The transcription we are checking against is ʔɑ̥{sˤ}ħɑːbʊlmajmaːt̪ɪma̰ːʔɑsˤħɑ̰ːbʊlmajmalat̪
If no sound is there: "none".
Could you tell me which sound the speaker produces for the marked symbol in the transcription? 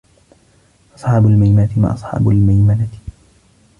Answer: sˤ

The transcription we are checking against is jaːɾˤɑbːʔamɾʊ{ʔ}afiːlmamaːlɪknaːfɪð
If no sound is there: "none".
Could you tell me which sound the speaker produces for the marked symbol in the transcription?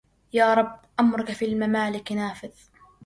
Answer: k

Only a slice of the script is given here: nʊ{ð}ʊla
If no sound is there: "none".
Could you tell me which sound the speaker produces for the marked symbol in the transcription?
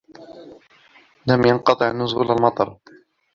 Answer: z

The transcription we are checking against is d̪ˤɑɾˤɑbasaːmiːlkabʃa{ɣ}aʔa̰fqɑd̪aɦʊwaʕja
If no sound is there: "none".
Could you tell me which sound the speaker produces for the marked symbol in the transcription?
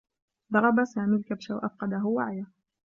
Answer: w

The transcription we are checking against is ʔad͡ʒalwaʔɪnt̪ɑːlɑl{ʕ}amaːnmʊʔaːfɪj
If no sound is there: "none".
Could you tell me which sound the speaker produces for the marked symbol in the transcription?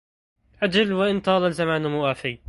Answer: z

